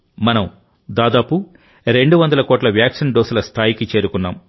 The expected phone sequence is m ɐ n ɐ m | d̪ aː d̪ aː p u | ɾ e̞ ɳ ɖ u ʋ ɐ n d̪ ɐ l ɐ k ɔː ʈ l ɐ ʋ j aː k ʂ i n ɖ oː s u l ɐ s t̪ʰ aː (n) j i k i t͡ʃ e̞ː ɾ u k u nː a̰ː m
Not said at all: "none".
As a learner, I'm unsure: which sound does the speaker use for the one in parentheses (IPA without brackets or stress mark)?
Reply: none